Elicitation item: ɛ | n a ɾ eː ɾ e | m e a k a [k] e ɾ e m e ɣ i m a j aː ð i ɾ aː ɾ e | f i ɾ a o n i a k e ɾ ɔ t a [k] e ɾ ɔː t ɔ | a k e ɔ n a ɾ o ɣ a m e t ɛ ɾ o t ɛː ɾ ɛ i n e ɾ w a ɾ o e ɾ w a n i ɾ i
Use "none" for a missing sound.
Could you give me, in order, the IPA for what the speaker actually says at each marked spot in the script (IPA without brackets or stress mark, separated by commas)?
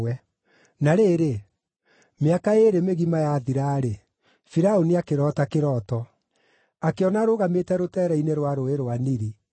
none, k